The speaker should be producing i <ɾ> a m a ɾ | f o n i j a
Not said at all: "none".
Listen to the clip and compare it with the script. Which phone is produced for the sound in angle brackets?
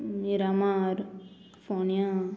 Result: ɾ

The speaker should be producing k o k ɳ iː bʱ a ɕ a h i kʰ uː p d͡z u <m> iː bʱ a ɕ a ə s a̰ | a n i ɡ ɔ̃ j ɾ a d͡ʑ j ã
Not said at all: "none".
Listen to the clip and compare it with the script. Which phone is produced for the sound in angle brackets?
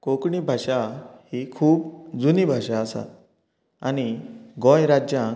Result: n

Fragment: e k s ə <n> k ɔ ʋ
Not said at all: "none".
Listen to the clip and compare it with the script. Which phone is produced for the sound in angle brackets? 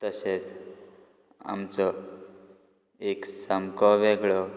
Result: m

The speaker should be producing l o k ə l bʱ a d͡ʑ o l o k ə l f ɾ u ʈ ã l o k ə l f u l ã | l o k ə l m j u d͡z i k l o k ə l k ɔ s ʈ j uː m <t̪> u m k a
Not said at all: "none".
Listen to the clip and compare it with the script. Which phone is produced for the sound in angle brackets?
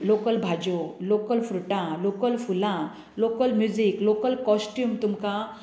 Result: t̪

